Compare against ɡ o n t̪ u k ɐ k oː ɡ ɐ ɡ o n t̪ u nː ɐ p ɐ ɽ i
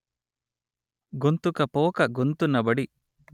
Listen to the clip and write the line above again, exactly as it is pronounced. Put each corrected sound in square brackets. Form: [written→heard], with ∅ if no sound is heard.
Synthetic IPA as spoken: ɡ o n t̪ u k ɐ [k→p] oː [ɡ→k] ɐ ɡ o n t̪ u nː ɐ [p→b] ɐ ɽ i